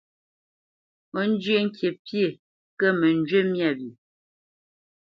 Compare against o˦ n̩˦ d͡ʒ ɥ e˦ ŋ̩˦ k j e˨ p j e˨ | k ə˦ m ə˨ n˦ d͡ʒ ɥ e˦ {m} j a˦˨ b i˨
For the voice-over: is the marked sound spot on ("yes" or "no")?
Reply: yes